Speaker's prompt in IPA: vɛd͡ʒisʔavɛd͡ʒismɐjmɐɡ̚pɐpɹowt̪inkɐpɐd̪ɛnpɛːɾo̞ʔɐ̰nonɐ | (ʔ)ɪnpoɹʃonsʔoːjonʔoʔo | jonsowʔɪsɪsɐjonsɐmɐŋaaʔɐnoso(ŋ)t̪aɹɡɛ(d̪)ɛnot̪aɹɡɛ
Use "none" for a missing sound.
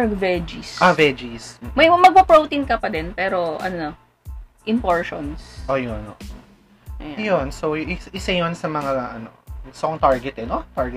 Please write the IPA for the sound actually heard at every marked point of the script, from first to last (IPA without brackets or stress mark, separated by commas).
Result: ʔ, ŋ, t̪